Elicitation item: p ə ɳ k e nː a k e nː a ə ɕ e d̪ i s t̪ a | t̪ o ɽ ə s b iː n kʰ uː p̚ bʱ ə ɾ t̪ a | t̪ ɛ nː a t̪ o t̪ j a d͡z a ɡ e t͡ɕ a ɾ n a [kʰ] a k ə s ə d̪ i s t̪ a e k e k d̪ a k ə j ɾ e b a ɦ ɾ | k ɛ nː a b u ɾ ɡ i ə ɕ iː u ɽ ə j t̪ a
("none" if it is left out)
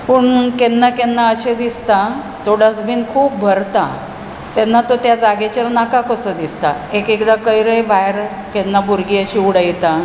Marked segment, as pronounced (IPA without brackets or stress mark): k